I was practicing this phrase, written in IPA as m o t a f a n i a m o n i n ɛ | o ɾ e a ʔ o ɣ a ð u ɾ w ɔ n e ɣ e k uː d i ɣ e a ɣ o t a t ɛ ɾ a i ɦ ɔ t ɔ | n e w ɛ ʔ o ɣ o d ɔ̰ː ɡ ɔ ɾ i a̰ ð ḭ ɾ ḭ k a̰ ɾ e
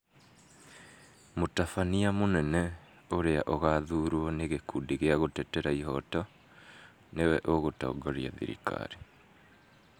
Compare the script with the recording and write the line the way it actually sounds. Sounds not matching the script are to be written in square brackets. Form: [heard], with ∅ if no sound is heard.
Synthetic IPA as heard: m o t a f a n i a m o n [ɛ] n ɛ | o ɾ e a ʔ o ɣ a ð u ɾ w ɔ n e ɣ e k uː d i ɣ e a ɣ o t [ɛ] t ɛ ɾ a i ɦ ɔ t ɔ | n e w ɛ ʔ o ɣ o [t] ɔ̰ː ɡ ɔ ɾ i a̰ ð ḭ ɾ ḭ k a̰ ɾ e